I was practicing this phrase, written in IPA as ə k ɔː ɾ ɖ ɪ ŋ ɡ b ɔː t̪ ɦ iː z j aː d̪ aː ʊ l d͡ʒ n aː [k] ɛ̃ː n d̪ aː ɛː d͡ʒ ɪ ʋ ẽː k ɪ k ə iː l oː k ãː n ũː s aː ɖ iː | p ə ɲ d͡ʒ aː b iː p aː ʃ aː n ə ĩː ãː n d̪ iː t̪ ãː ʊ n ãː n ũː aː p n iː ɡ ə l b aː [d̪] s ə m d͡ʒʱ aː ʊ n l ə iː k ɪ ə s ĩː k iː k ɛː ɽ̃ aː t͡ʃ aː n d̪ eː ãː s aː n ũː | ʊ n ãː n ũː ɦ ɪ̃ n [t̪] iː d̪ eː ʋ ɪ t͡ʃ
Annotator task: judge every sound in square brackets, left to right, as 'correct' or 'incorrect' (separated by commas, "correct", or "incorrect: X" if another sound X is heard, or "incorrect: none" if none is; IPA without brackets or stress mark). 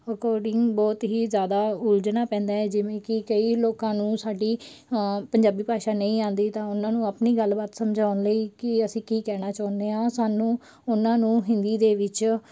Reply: incorrect: p, incorrect: t̪, incorrect: d̪